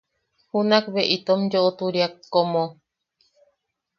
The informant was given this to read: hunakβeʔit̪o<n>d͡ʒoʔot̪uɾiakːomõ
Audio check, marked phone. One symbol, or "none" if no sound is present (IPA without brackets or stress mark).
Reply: m